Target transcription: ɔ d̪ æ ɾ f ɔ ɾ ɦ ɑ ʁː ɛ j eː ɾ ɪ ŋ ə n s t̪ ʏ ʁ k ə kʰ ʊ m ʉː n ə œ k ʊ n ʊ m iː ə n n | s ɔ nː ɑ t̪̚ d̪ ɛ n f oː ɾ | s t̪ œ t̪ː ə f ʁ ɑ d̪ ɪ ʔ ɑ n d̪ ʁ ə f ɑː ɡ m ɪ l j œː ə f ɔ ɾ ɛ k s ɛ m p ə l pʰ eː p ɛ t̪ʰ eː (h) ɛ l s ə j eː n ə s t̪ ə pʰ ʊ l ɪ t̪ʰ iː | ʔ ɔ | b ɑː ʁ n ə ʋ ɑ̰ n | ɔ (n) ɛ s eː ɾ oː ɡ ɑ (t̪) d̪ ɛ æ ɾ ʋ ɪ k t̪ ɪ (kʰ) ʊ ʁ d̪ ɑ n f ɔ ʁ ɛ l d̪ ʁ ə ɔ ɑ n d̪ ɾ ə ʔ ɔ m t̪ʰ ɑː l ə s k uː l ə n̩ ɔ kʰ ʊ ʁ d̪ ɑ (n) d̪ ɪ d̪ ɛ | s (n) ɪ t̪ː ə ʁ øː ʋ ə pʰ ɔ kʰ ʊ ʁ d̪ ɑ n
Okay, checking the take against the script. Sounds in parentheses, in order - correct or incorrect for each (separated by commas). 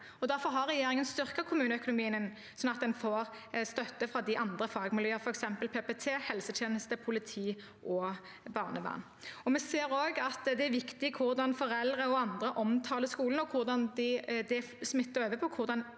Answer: correct, incorrect, correct, correct, correct, incorrect